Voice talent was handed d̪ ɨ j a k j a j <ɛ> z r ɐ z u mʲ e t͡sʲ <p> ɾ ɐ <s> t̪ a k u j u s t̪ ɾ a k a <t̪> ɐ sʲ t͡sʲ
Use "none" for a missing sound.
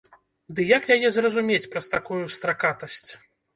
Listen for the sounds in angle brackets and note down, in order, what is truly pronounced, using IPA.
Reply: ɛ, p, s, t̪

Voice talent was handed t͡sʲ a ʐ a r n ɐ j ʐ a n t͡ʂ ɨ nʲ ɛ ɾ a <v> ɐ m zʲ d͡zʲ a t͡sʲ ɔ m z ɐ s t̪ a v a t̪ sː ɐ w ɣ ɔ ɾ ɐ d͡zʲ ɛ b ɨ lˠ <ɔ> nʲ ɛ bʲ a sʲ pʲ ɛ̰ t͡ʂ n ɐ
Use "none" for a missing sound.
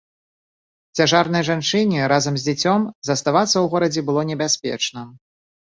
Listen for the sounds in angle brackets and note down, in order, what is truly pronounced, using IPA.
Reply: z, ɔ

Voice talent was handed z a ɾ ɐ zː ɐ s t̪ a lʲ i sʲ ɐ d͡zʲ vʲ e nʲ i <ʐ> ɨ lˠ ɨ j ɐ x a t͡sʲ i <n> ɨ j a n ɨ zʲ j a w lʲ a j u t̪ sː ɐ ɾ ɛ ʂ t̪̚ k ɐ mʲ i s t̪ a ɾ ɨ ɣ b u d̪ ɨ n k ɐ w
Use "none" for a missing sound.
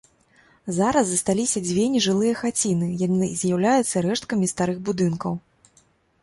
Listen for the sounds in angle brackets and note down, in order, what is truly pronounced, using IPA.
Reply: ʐ, n

